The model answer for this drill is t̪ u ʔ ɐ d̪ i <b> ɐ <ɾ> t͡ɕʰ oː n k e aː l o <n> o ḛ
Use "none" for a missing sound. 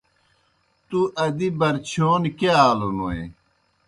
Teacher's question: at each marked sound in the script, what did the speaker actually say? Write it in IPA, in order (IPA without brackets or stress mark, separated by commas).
b, ɾ, n